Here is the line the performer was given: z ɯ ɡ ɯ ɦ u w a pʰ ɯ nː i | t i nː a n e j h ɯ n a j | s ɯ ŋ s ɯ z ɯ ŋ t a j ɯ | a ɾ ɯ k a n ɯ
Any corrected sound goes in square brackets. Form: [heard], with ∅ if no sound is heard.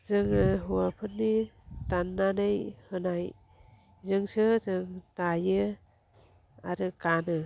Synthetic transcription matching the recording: z ɯ [ŋ] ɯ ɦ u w a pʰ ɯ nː i | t [a] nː a n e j h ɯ n a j | [z] ɯ ŋ s ɯ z ɯ ŋ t a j ɯ | a ɾ ɯ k a n ɯ

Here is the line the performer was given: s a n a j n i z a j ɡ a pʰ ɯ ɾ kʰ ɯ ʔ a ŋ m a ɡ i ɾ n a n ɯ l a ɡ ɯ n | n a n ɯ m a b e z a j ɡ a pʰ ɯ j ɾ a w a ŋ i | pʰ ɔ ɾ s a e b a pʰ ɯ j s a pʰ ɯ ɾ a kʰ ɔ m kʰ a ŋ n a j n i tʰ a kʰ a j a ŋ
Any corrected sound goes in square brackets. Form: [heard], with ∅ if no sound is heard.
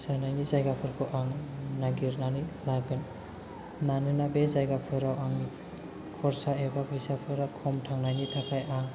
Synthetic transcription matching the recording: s a n a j n i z a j ɡ a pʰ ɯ ɾ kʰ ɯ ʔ a ŋ [n] a ɡ i ɾ n a n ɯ l a ɡ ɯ n | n a n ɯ [n] a b e z a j ɡ a pʰ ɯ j ɾ a w a ŋ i | [kʰ] ɔ ɾ s a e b a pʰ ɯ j s a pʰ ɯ ɾ a kʰ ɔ m [tʰ] a ŋ n a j n i tʰ a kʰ a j a ŋ

